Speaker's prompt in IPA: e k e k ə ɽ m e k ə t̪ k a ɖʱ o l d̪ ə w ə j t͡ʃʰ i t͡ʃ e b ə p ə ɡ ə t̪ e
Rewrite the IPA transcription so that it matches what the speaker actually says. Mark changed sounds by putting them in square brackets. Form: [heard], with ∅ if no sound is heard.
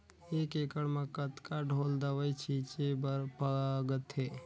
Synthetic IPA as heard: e k e k ə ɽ m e k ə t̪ k a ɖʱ o l d̪ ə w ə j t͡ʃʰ i t͡ʃ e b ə p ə ɡ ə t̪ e